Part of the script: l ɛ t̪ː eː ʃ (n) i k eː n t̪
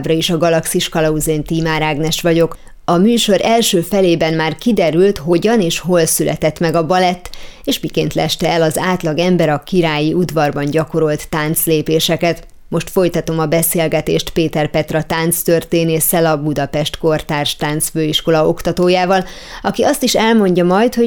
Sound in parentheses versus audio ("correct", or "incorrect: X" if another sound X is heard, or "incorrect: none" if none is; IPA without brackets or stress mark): incorrect: m